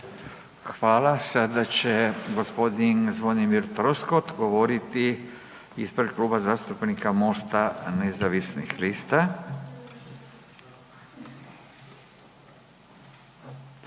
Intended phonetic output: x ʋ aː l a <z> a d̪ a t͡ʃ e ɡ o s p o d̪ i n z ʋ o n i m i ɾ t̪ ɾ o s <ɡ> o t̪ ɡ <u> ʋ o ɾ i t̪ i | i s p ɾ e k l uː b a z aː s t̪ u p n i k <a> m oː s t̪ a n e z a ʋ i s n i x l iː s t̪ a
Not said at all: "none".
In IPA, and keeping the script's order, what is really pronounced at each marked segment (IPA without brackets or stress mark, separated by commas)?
s, k, o, a